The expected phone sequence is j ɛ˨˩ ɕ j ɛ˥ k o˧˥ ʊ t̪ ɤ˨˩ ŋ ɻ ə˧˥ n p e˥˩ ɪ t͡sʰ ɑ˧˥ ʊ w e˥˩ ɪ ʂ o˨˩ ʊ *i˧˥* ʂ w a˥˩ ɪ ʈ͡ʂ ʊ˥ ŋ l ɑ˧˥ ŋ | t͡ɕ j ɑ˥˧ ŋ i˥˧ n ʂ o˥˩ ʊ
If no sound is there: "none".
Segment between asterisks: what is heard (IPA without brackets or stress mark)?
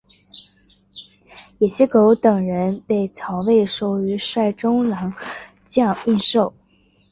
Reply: y˧˥